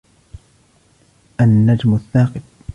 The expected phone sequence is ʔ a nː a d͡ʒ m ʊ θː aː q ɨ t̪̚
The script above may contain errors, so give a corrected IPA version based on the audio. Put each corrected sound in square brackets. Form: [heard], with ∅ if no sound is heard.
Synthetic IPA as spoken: ʔ a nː a d͡ʒ m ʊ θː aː q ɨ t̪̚